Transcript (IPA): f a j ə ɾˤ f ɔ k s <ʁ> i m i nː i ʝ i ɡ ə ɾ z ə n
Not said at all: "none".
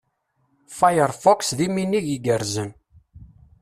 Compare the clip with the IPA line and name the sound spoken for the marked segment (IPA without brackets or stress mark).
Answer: ð